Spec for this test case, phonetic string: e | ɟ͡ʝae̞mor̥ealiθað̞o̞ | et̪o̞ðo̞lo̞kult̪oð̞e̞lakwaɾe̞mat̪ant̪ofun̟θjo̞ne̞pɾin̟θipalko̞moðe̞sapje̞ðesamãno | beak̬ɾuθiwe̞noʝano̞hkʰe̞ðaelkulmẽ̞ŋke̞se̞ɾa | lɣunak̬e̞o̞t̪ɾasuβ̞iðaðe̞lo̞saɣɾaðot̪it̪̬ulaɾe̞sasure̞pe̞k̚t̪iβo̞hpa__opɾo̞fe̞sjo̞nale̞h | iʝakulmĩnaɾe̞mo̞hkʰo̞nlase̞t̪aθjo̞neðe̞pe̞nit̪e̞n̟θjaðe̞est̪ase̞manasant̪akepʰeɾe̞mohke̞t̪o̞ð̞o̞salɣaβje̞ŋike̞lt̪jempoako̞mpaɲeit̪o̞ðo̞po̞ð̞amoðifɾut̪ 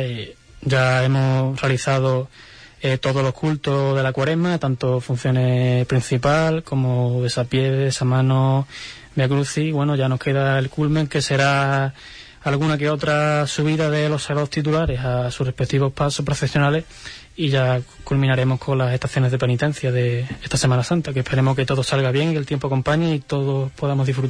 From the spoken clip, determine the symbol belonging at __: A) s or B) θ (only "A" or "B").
A